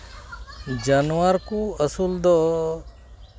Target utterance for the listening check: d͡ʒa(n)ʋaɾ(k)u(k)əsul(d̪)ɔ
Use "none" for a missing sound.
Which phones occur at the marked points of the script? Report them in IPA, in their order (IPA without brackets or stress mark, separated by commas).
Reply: n, k, none, d̪